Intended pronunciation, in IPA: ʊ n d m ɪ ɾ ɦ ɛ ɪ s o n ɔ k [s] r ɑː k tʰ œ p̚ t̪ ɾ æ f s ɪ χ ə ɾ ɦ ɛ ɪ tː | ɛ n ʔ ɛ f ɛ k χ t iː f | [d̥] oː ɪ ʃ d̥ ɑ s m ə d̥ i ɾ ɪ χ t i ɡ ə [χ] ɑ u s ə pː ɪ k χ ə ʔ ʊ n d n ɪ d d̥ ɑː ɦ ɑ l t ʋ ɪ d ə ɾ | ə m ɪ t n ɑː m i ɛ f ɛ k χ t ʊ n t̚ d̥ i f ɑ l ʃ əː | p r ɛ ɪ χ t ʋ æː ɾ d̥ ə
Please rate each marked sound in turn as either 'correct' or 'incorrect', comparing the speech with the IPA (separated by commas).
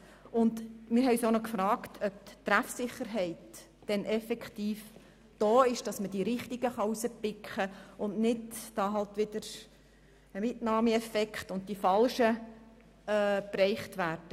incorrect, correct, correct